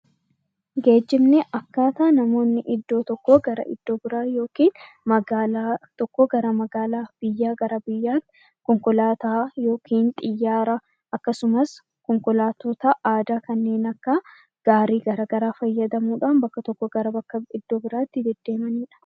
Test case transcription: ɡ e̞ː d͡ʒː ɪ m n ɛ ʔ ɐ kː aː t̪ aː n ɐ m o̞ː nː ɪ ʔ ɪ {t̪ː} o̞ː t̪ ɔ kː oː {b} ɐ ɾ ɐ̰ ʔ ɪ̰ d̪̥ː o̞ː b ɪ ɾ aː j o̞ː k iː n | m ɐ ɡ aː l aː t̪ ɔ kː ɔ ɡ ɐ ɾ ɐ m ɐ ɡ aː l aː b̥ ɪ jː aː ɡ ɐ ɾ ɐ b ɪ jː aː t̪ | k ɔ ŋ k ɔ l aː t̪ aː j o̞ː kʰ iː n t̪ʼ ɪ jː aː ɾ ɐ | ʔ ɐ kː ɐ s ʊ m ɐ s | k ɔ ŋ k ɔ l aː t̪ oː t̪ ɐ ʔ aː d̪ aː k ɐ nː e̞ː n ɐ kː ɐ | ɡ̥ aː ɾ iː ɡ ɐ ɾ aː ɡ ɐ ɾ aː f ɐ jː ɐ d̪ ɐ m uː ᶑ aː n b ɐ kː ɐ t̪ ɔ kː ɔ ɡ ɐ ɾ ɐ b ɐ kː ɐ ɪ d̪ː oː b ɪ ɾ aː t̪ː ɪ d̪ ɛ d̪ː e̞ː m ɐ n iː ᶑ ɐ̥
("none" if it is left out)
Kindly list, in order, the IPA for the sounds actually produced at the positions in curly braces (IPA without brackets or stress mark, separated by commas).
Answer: d̪ː, ɡ